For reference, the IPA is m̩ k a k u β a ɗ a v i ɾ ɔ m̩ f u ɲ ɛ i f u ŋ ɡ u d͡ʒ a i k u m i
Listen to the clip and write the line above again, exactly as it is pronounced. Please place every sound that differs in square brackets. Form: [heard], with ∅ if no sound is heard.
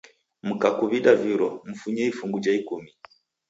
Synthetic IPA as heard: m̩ k a k u β [i] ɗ a v i ɾ ɔ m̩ f u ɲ ɛ i f u ŋ ɡ u d͡ʒ a i k u m i